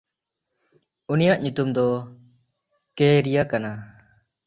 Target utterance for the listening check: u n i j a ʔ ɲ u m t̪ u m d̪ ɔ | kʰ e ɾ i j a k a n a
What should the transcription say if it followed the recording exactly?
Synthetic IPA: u n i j a ʔ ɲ u t̪ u m d̪ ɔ | k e ɾ i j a k a n a